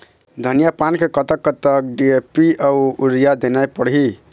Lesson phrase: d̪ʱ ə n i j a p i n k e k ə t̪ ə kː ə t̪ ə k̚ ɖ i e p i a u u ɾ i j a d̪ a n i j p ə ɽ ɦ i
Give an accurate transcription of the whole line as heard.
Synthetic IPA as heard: d̪ʱ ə n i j a p a n k e k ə t̪ ə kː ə t̪ ə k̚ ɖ i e p i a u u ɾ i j a d̪ e n a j p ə ɽ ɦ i